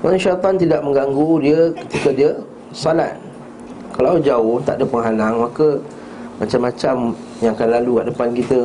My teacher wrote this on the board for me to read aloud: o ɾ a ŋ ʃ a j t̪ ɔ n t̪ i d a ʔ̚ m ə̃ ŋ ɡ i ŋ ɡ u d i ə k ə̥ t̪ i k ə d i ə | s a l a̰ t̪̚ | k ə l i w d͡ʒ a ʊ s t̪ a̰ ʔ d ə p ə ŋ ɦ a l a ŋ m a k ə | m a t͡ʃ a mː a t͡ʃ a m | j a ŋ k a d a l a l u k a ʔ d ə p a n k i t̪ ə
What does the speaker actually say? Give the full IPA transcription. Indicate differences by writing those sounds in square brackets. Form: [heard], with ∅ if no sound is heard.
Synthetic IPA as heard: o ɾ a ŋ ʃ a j t̪ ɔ n t̪ i d a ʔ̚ m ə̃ ŋ ɡ [a] ŋ ɡ u d i ə k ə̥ t̪ i k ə d i ə | s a l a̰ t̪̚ | k [a] l [a] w d͡ʒ a ʊ [h] t̪ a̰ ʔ d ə p ə ŋ ɦ a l a ŋ m a k ə | m a t͡ʃ a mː a t͡ʃ a m | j a ŋ k a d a l a l u k a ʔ d ə p a n k i t̪ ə